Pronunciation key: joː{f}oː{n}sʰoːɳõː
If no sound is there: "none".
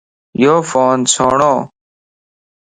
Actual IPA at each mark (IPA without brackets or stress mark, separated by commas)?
f, n